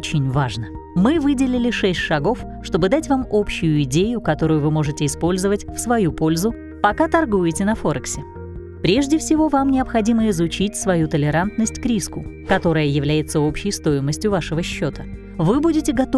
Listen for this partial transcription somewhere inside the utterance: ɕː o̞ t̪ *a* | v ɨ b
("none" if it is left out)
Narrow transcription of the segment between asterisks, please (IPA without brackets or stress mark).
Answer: ə